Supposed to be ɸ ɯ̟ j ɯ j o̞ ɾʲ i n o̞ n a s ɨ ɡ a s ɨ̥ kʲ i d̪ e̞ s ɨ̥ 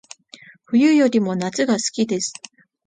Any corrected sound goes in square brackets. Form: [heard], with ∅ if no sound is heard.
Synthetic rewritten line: ɸ ɯ̟ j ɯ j o̞ ɾʲ i [m] o̞ n a [t͡s] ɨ ɡ a s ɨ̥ kʲ i d̪ e̞ s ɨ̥